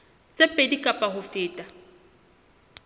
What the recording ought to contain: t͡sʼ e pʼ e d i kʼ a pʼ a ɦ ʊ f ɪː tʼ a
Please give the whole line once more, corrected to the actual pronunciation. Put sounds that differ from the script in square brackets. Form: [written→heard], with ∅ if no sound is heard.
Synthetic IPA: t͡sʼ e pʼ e d i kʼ a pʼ a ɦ ʊ f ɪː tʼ a